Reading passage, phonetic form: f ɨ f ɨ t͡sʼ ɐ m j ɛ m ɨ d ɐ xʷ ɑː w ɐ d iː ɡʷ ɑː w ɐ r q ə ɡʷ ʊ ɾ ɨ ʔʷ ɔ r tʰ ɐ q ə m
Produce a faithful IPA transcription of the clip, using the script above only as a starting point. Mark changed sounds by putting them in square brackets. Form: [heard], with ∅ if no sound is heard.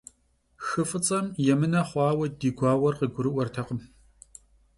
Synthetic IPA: [x] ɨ f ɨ t͡sʼ ɐ m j ɛ m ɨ [n] ɐ [χʷ] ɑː w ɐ d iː ɡʷ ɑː w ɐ r q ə ɡʷ ʊ ɾ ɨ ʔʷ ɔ r tʰ ɐ q ə m

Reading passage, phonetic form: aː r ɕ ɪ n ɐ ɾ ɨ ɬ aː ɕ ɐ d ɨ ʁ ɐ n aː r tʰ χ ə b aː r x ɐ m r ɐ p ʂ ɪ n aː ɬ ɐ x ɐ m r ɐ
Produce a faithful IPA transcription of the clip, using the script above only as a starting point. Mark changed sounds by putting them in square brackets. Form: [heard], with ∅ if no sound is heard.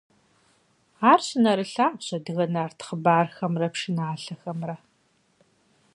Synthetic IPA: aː r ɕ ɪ n ɐ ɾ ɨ ɬ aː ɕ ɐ d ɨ [ɣ] ɐ n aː r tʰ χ ə b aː r x ɐ m r ɐ p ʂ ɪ n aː ɬ ɐ x ɐ m r ɐ

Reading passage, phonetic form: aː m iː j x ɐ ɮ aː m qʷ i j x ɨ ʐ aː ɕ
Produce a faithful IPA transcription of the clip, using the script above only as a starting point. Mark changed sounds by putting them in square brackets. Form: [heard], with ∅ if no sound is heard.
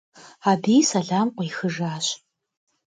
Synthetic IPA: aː [b] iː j [s] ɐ ɮ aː m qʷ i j x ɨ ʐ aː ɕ

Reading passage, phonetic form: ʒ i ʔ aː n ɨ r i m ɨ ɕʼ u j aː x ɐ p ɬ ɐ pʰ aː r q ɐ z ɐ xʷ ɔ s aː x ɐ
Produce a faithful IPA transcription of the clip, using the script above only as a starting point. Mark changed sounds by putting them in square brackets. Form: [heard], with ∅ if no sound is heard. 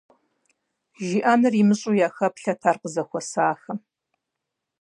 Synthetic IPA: ʒ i ʔ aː n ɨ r i m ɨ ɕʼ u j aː x ɐ p ɬ ɐ [tʰ] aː r q [ə] z ɐ xʷ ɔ s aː x ɐ

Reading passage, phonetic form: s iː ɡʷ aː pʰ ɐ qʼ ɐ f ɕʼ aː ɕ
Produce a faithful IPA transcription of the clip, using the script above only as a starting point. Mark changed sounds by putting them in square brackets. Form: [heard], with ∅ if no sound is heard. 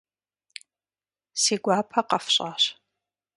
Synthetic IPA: s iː ɡʷ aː pʰ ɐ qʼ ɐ f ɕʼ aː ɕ

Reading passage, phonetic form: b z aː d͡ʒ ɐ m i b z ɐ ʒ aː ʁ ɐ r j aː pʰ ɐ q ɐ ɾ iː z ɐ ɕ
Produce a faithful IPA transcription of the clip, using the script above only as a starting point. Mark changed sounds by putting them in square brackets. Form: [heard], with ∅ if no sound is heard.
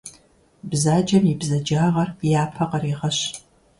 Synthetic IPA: b z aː d͡ʒ ɐ m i b z ɐ [d͡ʒ] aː ʁ ɐ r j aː pʰ ɐ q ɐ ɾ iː [ʁ] ɐ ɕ

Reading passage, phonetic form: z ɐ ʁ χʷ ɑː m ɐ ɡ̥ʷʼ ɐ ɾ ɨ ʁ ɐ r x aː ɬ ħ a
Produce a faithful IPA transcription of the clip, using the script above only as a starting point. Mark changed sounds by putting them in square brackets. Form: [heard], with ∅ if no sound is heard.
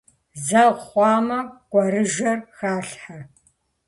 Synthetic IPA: z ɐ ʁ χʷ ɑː m ɐ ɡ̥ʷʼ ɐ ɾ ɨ [ʒ] ɐ r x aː ɬ ħ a

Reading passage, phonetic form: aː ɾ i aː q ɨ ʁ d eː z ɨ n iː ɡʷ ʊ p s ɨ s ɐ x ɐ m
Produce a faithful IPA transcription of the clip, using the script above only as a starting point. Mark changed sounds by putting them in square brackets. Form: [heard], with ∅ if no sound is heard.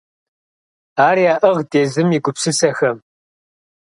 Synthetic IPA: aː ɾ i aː [ʔ] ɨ ʁ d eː z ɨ [m] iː ɡʷ ʊ p s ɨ s ɐ x ɐ m

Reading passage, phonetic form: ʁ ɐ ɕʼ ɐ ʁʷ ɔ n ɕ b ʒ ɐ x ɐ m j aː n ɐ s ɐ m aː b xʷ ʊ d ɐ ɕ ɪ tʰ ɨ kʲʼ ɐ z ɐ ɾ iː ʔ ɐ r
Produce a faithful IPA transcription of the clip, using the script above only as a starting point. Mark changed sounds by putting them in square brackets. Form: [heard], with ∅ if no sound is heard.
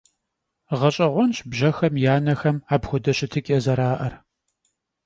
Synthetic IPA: ʁ ɐ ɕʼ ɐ ʁʷ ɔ n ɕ b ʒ ɐ x ɐ m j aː n ɐ [x] ɐ m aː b xʷ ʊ d ɐ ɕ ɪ tʰ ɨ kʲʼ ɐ z ɐ ɾ [aː] ʔ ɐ r

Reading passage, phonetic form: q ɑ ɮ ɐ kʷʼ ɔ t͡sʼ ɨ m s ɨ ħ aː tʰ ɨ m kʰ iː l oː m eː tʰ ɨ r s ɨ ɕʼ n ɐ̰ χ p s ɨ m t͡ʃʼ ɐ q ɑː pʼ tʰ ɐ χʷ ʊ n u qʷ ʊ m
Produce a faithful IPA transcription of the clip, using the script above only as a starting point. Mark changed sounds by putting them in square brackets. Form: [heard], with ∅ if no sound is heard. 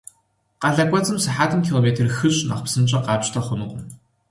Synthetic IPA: q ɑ ɮ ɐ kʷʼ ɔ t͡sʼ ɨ m s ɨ ħ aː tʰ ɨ m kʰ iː l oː m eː tʰ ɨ r [x] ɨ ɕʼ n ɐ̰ χ p s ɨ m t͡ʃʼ ɐ q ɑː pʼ tʰ ɐ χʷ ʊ n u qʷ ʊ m

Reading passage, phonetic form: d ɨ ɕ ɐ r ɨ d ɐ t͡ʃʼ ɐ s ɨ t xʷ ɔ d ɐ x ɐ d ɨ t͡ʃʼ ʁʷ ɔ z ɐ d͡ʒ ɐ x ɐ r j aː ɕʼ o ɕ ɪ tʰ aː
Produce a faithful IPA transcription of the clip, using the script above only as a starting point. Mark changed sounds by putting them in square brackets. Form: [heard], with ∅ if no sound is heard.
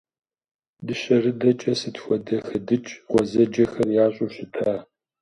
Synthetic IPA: d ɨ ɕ ɐ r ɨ d ɐ t͡ʃʼ ɐ s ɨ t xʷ ɔ d ɐ x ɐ d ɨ t͡ʃʼ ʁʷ ɔ z ɐ d͡ʒ ɐ x ɐ r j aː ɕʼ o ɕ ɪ tʰ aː

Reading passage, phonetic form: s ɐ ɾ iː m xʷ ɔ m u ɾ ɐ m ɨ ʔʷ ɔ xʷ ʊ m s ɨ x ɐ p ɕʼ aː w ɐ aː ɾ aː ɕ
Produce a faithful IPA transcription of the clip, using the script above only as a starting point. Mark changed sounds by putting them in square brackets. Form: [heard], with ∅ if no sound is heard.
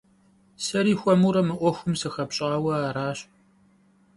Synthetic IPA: s ɐ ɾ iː [∅] xʷ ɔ m u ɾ ɐ m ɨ ʔʷ ɔ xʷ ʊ m s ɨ x ɐ p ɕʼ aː w ɐ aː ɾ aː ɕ

